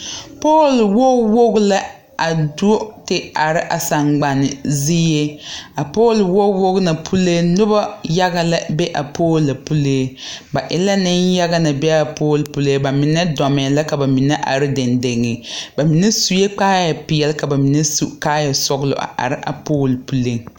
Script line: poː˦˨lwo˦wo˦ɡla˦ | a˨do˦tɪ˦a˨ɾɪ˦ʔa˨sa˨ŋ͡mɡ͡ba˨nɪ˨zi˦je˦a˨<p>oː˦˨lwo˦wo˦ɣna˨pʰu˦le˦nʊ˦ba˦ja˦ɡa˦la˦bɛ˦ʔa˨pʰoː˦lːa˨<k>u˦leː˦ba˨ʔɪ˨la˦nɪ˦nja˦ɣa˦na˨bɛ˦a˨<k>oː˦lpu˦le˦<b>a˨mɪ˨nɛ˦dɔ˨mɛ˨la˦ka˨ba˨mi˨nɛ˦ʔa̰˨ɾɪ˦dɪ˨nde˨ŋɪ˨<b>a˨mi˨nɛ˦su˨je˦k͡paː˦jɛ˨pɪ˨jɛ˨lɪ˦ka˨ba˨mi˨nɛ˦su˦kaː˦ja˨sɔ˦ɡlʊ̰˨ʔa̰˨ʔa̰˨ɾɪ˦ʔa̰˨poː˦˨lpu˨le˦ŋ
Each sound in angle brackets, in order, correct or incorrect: correct, incorrect: p, incorrect: p, correct, correct

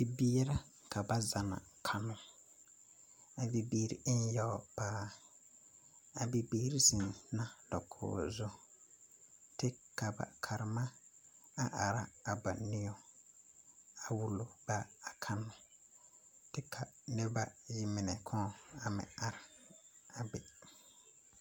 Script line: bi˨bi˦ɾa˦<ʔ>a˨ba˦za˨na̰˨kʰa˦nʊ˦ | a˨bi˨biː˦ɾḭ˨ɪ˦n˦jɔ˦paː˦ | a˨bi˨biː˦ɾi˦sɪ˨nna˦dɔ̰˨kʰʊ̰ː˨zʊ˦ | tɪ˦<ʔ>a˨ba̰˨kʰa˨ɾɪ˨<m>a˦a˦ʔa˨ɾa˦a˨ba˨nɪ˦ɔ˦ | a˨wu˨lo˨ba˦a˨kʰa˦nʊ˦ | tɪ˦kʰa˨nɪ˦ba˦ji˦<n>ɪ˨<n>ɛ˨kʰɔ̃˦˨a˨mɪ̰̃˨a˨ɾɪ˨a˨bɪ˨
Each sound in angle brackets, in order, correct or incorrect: incorrect: k, incorrect: k, correct, incorrect: m, correct

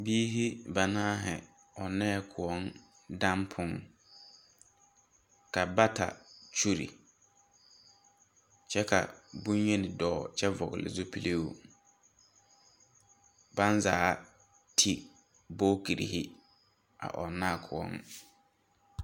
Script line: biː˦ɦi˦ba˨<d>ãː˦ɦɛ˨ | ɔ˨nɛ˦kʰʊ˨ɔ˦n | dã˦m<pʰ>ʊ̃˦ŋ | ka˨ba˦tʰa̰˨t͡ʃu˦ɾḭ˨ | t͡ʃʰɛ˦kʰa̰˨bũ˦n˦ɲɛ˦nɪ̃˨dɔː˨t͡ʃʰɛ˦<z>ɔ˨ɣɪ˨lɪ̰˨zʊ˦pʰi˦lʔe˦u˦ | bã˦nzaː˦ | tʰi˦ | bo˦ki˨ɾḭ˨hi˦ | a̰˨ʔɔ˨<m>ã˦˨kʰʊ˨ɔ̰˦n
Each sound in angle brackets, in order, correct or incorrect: incorrect: n, correct, incorrect: v, incorrect: n

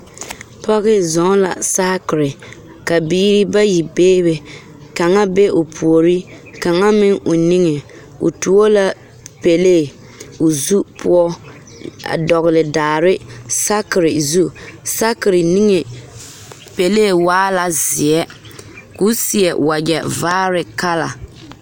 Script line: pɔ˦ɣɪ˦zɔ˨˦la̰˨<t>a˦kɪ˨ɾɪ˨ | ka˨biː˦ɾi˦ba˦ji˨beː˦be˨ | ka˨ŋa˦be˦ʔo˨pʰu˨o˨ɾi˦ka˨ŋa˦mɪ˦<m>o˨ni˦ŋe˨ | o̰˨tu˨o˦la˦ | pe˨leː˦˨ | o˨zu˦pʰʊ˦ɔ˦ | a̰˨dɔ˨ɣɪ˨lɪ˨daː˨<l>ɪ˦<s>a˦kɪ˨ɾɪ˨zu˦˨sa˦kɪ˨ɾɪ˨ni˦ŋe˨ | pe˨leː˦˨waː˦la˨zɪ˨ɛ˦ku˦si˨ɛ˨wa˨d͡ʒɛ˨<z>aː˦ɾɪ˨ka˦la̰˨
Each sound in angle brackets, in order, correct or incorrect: incorrect: s, incorrect: ŋ, incorrect: ɾ, correct, incorrect: v

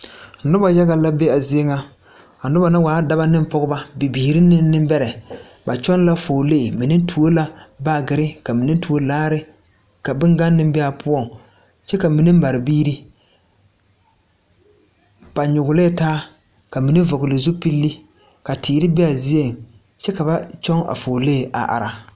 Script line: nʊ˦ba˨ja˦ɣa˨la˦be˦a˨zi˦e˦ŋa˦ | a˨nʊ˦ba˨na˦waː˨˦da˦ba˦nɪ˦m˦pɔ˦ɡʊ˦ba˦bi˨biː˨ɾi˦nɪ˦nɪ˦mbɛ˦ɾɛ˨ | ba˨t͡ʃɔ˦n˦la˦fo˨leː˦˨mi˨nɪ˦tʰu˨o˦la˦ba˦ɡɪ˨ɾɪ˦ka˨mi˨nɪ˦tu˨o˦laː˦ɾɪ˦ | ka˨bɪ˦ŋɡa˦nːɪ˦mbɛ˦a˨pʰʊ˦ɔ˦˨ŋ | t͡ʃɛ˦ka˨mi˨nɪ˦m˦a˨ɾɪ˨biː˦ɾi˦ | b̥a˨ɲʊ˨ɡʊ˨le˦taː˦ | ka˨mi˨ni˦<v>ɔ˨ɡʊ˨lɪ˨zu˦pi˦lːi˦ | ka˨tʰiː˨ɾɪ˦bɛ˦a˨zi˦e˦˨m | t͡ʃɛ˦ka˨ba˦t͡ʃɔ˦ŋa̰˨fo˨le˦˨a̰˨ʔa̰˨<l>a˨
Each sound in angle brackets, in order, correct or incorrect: correct, incorrect: ɾ

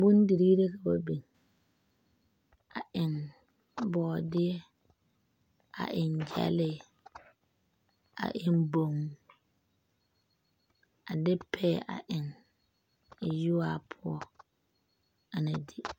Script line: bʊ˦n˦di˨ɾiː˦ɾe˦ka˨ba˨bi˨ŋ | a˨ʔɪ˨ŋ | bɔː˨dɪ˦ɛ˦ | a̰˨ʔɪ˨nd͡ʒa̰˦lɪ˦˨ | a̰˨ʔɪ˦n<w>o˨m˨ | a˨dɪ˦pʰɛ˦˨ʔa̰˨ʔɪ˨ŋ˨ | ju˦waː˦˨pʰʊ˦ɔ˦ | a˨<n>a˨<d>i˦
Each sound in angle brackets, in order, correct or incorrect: incorrect: b, correct, correct

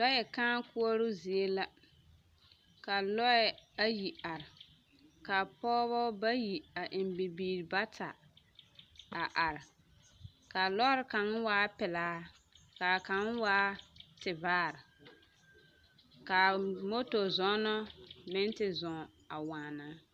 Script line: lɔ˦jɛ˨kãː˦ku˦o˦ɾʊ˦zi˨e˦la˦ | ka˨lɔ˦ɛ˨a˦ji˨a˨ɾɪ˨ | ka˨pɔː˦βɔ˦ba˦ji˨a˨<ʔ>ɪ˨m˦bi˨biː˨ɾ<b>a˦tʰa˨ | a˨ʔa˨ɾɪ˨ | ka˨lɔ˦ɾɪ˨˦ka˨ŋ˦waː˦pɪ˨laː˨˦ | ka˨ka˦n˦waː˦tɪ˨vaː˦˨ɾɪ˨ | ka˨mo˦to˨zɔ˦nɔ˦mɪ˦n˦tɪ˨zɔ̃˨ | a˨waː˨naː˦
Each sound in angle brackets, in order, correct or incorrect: correct, correct

